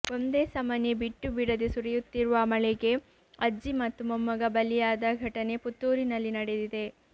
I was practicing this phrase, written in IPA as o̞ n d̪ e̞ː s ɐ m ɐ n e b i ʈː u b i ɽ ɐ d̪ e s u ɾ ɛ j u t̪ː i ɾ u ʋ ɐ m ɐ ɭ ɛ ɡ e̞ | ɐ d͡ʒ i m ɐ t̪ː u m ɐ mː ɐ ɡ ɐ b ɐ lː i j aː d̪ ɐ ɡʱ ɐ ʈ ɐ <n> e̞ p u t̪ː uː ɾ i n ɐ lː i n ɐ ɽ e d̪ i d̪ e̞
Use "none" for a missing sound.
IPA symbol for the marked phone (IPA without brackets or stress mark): n